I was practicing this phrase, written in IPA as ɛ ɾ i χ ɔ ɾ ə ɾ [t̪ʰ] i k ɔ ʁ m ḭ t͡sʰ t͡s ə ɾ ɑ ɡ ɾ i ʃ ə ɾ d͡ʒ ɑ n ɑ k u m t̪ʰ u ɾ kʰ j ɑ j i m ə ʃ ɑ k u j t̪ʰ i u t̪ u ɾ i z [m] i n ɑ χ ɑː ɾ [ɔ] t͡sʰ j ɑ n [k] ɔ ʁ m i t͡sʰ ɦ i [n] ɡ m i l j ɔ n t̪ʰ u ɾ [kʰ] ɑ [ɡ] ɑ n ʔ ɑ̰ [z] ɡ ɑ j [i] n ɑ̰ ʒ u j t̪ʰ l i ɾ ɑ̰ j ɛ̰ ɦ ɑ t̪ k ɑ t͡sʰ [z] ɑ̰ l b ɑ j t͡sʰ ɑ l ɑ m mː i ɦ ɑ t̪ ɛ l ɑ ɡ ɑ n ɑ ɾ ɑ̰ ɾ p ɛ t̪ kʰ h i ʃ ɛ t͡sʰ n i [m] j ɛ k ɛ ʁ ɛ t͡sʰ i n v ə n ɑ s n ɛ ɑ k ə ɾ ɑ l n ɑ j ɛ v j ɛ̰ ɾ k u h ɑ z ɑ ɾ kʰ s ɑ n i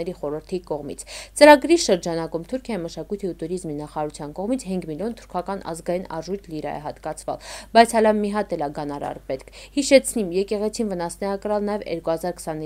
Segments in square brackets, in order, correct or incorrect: correct, correct, incorrect: u, correct, incorrect: ŋ, correct, incorrect: k, correct, correct, incorrect: v, correct

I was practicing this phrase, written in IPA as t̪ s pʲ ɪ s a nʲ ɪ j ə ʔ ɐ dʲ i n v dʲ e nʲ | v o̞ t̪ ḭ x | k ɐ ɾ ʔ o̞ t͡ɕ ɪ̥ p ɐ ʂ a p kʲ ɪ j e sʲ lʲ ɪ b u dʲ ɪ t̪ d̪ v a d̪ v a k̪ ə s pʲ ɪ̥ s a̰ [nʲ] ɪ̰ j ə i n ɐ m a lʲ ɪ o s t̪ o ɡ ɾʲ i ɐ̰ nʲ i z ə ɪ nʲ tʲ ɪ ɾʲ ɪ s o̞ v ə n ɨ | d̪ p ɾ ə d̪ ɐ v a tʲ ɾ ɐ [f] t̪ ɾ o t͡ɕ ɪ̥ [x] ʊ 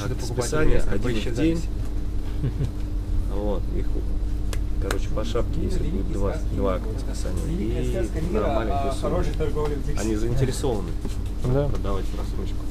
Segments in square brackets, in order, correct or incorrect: correct, incorrect: s, incorrect: k

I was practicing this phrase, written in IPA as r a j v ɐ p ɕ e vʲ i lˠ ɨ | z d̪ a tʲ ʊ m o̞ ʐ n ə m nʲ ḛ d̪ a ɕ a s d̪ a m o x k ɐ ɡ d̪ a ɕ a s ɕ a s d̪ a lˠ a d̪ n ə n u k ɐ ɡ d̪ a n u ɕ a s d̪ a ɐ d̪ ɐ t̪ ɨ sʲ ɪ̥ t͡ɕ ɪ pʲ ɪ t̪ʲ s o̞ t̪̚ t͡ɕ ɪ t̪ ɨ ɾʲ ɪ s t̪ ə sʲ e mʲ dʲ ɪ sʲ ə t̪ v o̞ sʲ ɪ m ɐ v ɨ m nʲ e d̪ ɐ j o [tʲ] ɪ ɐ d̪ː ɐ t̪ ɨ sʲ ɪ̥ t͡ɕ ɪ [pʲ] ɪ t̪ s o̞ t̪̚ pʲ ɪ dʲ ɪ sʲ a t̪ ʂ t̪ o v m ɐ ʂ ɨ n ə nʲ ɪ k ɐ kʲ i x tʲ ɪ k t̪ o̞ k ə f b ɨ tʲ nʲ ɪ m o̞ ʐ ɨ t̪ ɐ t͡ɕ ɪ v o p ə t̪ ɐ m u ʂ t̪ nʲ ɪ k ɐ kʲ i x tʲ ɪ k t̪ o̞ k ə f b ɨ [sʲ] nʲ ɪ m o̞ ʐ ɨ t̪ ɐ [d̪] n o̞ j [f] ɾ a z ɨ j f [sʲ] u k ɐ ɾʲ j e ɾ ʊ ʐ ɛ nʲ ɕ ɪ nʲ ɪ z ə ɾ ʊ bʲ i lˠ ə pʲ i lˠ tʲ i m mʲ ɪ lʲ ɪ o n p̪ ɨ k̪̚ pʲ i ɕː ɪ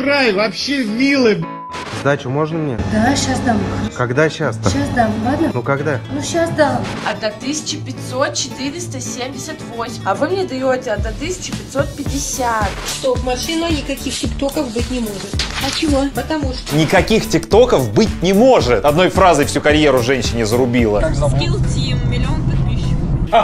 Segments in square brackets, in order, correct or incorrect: correct, correct, incorrect: tʲ, correct, correct, correct

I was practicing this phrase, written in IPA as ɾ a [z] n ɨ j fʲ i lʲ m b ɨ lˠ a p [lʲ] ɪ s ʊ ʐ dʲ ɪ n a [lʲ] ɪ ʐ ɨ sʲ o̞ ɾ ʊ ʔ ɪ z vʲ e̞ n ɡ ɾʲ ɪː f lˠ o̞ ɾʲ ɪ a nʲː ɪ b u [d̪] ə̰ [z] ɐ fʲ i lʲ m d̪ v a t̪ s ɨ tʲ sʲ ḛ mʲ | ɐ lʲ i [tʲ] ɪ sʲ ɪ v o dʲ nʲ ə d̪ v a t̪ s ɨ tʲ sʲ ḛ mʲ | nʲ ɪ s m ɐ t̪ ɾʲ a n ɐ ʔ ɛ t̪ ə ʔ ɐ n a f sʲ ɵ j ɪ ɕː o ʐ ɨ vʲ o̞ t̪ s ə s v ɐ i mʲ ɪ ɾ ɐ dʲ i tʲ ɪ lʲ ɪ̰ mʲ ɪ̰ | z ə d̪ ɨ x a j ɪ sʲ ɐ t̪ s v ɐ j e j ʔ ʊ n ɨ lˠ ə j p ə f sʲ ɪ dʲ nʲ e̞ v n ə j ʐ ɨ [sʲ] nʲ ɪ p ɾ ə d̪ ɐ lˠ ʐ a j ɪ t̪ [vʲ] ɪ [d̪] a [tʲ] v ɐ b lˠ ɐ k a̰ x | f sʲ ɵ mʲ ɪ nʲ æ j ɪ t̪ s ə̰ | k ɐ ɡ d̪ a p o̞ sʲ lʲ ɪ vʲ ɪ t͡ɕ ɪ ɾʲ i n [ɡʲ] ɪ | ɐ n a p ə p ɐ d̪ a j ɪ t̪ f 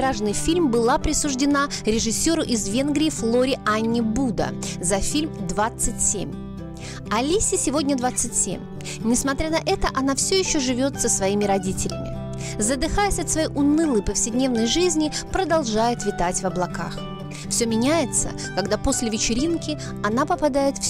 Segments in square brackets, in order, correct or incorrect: incorrect: ʐ, incorrect: ɾʲ, incorrect: ɾʲ, correct, correct, incorrect: sʲ, incorrect: zʲ, correct, incorrect: t̪, correct, incorrect: kʲ

